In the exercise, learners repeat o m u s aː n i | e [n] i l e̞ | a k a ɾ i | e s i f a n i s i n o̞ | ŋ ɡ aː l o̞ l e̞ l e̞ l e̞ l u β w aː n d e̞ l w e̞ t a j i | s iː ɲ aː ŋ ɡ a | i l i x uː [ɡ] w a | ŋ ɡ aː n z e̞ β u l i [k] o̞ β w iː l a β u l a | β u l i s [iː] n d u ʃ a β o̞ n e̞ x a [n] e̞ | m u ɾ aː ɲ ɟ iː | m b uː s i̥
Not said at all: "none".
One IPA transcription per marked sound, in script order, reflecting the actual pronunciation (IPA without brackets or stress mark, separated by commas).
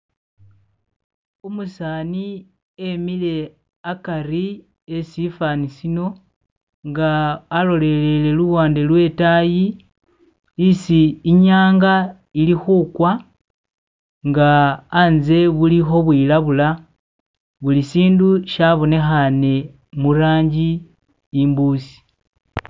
m, k, x, iː, n